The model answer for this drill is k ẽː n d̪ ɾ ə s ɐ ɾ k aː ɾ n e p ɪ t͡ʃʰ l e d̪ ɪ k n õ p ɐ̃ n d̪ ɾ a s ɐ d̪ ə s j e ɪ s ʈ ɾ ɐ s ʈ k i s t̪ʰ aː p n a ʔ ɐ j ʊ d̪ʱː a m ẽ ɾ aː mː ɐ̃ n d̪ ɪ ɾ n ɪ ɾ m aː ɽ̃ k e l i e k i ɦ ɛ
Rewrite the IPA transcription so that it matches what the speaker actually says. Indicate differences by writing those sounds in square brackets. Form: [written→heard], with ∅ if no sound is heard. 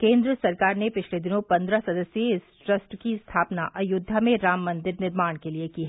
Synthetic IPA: k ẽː n d̪ ɾ ə s ɐ ɾ k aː ɾ n e p ɪ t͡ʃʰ l e d̪ ɪ [k→∅] n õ p ɐ̃ n d̪ ɾ a s ɐ d̪ ə s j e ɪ s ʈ ɾ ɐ s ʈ k i s t̪ʰ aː p n a ʔ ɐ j ʊ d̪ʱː a m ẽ ɾ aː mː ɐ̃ n d̪ ɪ ɾ n ɪ ɾ m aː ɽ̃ k e l i e k i ɦ ɛ